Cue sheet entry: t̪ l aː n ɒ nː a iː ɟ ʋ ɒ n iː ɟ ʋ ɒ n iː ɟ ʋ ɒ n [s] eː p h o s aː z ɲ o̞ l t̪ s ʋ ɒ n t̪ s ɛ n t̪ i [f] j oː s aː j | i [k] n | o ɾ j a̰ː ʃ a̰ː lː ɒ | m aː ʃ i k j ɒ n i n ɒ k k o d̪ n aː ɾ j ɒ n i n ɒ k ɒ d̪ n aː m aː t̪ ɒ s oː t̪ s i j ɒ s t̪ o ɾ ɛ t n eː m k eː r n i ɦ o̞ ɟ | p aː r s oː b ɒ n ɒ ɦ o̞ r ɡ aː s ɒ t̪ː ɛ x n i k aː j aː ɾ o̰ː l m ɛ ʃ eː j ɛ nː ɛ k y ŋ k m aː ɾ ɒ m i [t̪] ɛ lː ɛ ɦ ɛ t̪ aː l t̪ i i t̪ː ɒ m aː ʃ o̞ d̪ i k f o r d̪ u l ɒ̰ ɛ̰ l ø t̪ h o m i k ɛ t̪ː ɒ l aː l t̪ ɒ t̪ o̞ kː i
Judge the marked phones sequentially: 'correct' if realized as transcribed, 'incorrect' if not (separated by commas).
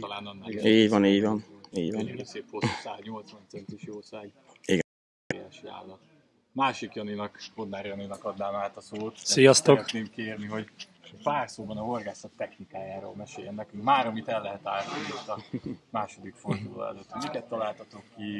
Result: correct, incorrect, incorrect, correct